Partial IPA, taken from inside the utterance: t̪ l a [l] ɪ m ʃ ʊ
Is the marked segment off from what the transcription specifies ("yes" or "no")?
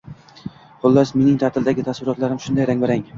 yes